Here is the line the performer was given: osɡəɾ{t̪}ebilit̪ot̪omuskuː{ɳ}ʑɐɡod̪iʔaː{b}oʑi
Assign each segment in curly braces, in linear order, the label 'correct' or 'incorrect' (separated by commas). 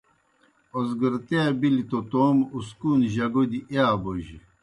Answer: correct, incorrect, correct